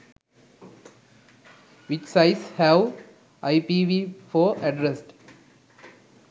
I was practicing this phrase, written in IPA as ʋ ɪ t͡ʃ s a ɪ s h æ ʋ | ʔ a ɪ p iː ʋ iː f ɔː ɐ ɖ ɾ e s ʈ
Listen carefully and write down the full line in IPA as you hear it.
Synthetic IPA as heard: ʋ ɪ t͡ʃ s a ɪ s h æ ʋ | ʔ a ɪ p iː ʋ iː f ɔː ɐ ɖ ɾ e s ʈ